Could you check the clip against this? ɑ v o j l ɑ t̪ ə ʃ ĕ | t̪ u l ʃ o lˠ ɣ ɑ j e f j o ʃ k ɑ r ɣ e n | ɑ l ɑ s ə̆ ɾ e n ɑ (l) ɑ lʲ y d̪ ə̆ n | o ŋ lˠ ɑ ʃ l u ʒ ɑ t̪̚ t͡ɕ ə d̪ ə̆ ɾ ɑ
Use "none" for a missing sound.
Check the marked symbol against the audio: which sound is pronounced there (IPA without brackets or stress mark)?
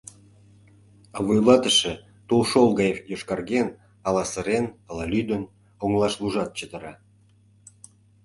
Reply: l